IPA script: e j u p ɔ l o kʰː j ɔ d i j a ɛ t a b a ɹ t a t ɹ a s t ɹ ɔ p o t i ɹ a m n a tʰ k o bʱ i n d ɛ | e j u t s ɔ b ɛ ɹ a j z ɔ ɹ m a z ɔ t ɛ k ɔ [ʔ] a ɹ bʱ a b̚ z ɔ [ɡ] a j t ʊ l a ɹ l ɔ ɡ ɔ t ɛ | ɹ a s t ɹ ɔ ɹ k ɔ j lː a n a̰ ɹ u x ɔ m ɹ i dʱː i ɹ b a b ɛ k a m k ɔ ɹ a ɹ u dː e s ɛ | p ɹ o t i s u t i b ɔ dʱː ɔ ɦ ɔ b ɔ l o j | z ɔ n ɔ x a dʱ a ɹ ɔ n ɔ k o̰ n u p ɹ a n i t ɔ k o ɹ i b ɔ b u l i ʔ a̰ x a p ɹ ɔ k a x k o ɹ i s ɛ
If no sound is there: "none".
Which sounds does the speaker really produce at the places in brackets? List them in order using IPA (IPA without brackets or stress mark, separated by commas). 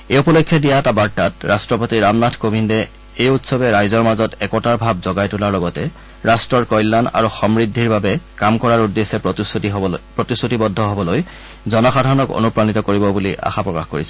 t, ɡ